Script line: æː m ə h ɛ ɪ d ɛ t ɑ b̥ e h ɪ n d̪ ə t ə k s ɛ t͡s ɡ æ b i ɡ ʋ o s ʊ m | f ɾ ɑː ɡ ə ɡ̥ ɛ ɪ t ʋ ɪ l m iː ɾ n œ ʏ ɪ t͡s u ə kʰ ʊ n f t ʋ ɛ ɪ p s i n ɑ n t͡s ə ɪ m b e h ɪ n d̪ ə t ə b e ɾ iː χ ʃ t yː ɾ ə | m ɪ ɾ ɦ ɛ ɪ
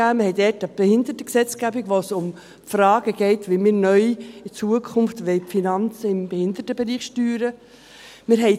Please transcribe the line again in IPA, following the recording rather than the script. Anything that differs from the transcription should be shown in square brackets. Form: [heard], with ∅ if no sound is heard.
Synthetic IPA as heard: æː m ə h ɛ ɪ d ɛ t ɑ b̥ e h ɪ n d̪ ə t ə k s ɛ t͡s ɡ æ b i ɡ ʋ o s ʊ m | f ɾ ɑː ɡ ə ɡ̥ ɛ ɪ t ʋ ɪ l m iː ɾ n œ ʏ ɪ t͡s u ə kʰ ʊ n f t ʋ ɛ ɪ p [f] i n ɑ n t͡s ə ɪ m b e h ɪ n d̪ ə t ə b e ɾ iː χ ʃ t yː ɾ ə | m ɪ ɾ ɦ ɛ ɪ